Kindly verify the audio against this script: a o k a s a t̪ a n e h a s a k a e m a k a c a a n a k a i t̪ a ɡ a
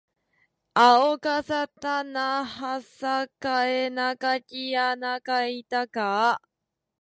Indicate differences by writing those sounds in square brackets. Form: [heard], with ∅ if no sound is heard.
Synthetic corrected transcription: a o k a s a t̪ a n [a] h a s a k a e [n] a k a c [i] a n a k a i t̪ a [k] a